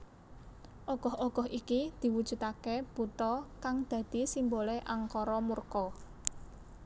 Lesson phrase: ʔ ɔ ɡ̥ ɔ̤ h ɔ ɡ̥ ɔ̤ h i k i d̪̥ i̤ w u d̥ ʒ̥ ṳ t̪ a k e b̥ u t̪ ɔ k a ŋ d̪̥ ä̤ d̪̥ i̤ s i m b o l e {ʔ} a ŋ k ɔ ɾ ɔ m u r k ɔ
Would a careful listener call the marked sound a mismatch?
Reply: no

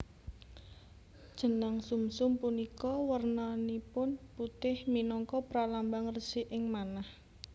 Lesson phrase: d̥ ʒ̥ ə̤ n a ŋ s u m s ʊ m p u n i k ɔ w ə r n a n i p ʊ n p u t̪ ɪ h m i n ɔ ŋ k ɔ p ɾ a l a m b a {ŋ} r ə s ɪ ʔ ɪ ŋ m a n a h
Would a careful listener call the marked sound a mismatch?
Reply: no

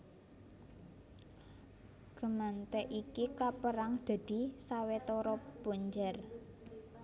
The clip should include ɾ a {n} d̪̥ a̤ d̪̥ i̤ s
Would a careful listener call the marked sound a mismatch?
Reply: yes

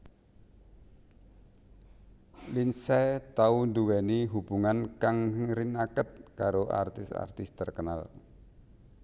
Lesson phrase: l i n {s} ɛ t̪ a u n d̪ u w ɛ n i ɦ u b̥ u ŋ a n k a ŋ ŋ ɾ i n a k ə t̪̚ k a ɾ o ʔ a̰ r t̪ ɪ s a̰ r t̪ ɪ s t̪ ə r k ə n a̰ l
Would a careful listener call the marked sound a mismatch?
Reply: no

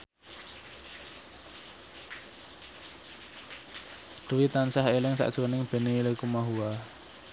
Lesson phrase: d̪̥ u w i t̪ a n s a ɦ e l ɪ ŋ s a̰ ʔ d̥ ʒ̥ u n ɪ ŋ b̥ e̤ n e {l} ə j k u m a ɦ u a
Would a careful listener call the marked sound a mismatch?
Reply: no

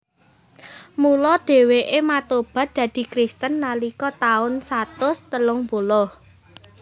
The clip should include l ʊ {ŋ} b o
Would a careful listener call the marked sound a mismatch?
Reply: no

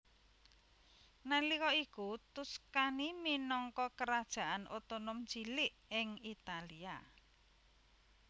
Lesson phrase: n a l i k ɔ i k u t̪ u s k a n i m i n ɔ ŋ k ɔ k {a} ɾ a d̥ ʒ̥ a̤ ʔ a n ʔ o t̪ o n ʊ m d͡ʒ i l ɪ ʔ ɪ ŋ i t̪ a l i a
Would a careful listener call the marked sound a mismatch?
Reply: yes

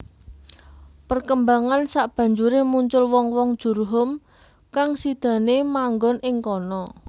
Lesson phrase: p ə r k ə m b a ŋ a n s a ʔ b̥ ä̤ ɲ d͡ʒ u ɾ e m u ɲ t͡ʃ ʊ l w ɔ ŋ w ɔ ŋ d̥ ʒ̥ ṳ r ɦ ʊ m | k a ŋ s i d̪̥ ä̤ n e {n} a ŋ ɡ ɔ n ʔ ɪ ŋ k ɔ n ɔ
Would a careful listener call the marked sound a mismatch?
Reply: yes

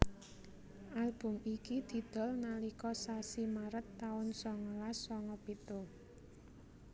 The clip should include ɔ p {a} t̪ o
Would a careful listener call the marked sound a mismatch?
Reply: yes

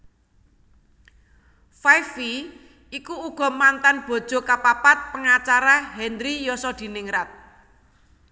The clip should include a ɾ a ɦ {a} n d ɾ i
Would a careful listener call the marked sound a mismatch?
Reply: yes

